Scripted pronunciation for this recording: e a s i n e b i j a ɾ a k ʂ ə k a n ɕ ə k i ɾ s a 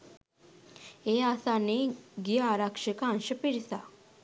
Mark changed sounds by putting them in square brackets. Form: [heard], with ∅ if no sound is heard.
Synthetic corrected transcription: e a s [a] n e [ɡ] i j a ɾ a k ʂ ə k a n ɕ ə [p] i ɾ s a